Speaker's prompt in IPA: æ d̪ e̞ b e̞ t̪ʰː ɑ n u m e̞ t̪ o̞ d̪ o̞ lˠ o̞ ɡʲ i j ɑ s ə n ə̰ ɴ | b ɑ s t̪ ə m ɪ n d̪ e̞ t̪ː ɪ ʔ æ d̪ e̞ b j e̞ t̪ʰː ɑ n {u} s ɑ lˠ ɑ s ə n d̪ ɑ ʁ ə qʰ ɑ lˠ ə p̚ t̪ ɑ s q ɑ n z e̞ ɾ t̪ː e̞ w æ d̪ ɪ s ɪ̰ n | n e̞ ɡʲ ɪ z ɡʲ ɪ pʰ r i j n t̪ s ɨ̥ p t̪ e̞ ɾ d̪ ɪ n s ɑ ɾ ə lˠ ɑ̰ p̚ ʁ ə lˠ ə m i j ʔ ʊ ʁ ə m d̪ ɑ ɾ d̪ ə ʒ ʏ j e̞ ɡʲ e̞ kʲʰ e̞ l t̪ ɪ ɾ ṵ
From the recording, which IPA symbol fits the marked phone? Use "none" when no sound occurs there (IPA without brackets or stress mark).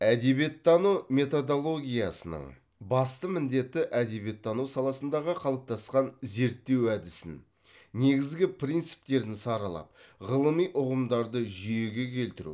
u